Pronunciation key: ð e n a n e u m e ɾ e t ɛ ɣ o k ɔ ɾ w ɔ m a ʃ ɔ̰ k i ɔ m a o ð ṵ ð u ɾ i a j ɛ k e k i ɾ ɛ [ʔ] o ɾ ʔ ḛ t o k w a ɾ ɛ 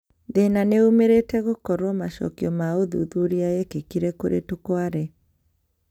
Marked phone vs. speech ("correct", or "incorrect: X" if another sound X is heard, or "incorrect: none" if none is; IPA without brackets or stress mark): incorrect: k